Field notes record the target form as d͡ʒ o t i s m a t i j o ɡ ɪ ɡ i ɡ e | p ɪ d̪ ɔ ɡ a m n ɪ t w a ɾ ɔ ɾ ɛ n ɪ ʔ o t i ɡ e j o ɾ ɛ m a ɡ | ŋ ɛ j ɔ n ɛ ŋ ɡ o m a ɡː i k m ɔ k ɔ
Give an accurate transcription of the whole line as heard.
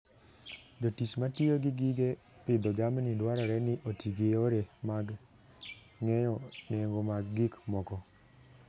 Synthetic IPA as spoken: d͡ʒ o t i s m a t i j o ɡ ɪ ɡ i ɡ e | p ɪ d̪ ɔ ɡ a m n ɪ d w a ɾ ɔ ɾ ɛ n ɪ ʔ o t i ɡ e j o ɾ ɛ m a ɡ | ŋ ɛ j ɔ n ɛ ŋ ɡ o m a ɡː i k m ɔ k ɔ

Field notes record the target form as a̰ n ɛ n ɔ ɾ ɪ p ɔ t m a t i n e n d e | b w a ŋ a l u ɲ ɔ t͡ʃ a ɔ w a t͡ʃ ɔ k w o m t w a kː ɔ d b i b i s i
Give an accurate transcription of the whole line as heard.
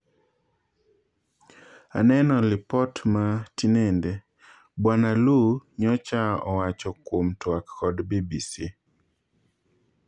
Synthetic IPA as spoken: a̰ n ɛ n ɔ l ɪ p ɔ t m a t i n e n d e | b w a n a l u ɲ ɔ t͡ʃ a ɔ w a t͡ʃ ɔ k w o m t w a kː ɔ d b i b i s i

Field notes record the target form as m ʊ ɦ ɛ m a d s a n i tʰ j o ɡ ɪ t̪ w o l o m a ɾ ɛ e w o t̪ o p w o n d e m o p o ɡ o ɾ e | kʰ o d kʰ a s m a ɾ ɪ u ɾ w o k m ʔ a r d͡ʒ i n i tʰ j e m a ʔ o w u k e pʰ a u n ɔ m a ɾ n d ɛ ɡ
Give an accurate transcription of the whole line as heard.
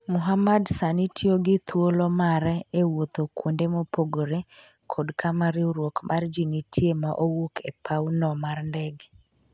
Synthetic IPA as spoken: m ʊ ɦ a m a d s a n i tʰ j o ɡ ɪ t̪ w o l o m a ɾ ɛ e w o t̪ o k w o n d e m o p o ɡ o ɾ e | kʰ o d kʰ a m a ɾ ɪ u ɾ w o k m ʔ a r d͡ʒ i n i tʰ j e m a ʔ o w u k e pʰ a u n ɔ m a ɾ n d ɛ ɡ

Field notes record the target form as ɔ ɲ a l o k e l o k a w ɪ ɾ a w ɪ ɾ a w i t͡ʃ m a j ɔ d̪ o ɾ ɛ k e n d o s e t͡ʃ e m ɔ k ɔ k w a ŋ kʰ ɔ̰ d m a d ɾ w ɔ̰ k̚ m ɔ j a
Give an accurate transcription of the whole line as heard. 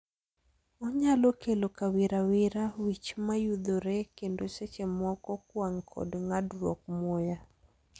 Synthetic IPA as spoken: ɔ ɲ a l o k e l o k a w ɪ ɾ a w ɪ ɾ a w i t͡ʃ m a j u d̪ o ɾ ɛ k e n d o s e t͡ʃ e m ɔ k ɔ k w a ŋ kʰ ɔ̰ d ŋ a d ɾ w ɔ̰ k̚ m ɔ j a

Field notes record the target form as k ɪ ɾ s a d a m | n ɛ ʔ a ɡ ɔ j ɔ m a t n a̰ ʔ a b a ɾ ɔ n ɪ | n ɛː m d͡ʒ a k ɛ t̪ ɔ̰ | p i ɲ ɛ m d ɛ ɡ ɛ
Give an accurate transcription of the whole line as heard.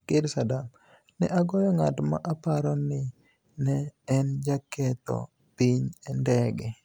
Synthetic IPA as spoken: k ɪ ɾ s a d a m | n ɛ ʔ a ɡ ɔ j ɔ ŋ a t m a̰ ʔ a p a ɾ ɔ n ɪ | n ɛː n d͡ʒ a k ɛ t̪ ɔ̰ | p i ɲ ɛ n d ɛ ɡ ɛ

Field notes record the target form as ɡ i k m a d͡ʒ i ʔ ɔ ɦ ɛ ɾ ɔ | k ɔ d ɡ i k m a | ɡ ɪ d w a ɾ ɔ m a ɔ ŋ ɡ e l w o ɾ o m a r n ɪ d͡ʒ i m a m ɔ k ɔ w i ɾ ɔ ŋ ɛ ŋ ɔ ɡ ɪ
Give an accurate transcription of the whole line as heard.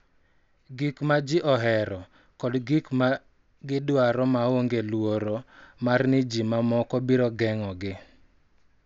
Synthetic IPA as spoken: ɡ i k m a d͡ʒ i ʔ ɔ ɦ ɛ ɾ ɔ | k ɔ d ɡ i k m a | ɡ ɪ d w a ɾ ɔ m a o ŋ ɡ e l w o ɾ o m a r n ɪ d͡ʒ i m a m ɔ k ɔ b i ɾ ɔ ɡ ɛ ŋ ɔ ɡ ɪ

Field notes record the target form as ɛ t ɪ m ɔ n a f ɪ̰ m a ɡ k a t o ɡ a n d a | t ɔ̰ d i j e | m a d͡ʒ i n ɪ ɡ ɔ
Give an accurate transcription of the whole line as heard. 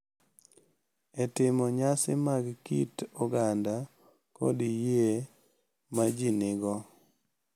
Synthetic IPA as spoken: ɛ t ɪ m ɔ ɲ a s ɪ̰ m a ɡ k i t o ɡ a n d a | k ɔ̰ d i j e | m a d͡ʒ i n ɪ ɡ ɔ

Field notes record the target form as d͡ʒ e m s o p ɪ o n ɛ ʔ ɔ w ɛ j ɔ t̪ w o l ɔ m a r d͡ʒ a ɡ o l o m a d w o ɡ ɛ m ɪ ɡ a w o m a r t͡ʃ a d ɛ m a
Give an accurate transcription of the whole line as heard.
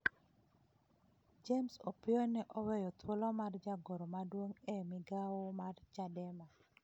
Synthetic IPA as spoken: d͡ʒ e m s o p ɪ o n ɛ ʔ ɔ w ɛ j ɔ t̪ w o l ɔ m a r d͡ʒ a ɡ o ɾ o m a d w o ŋ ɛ m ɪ ɡ a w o m a r t͡ʃ a d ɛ m a

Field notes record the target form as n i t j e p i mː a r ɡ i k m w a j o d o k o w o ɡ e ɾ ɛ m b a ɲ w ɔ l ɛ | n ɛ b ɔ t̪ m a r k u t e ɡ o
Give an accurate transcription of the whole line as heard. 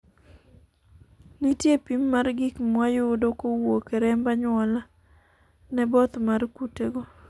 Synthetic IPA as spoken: n i t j e p i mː a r ɡ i k m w a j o d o k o w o k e ɾ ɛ m b a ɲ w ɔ l a | n ɛ b ɔ t̪ m a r k u t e ɡ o

